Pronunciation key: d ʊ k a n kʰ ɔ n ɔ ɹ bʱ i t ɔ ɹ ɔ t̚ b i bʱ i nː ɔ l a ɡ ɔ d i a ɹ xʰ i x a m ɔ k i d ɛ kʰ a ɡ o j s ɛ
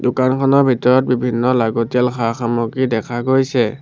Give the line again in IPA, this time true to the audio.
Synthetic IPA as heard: d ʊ k a n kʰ ɔ n ɔ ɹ bʱ i t ɔ ɹ ɔ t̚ b i bʱ i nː ɔ l a ɡ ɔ t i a l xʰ a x a m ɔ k i d ɛ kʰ a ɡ o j s ɛ